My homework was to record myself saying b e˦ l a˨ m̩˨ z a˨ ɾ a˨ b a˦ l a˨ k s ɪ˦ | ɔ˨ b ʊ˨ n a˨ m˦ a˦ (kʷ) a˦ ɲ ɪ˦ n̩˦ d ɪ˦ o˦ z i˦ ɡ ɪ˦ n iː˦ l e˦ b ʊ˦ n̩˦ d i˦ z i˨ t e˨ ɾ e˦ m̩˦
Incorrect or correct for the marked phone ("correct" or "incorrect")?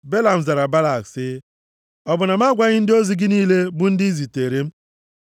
incorrect